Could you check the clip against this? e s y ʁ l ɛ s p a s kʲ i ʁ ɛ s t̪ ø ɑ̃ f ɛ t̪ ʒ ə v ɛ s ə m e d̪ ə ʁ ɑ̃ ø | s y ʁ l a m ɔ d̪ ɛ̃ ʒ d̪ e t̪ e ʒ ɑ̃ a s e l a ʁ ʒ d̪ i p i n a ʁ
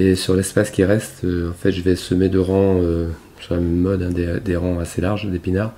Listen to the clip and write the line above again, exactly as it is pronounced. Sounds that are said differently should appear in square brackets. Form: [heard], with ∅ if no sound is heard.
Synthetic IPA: e s y ʁ l ɛ s p a s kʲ i ʁ ɛ s t̪ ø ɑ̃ f ɛ t̪ ʒ ə v ɛ s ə m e d̪ ə ʁ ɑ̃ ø | s y ʁ l a m ɔ d̪ ɛ̃ [∅] d̪ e [d̪] e [ʁ] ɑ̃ a s e l a ʁ ʒ d̪ [e] p i n a ʁ